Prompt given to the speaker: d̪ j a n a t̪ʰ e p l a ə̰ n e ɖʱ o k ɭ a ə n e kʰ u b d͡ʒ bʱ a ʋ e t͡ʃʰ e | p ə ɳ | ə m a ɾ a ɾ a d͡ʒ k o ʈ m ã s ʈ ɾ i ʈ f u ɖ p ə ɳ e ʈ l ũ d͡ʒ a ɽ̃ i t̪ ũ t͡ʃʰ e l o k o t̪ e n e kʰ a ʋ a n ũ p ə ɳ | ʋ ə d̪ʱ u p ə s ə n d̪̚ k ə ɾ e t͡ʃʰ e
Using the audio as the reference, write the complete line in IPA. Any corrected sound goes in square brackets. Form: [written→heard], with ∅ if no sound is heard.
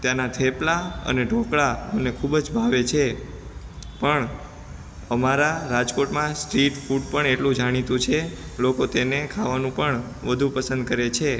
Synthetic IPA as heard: [d̪→t̪] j a n a t̪ʰ e p l a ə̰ n e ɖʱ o k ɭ a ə n e kʰ u b d͡ʒ bʱ a ʋ e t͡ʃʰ e | p ə ɳ | ə m a ɾ a ɾ a d͡ʒ k o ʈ m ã s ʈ ɾ i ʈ f u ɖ p ə ɳ e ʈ l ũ d͡ʒ a ɽ̃ i t̪ ũ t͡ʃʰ e l o k o t̪ e n e kʰ a ʋ a n ũ p ə ɳ | ʋ ə d̪ʱ u p ə s ə n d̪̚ k ə ɾ e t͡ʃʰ e